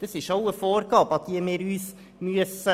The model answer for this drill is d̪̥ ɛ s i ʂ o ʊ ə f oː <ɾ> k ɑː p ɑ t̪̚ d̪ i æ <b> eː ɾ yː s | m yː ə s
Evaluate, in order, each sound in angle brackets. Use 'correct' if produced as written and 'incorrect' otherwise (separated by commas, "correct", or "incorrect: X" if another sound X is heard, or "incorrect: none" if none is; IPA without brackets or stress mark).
correct, incorrect: m